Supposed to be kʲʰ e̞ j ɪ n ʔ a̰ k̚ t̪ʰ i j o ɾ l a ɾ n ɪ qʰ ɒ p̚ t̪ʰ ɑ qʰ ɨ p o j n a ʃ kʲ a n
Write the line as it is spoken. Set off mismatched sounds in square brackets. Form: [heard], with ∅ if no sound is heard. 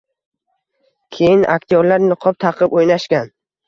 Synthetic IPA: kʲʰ e̞ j ɪ n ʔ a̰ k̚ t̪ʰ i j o ɾ l a ɾ n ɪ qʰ ɒ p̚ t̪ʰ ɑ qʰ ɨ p o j n a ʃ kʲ a n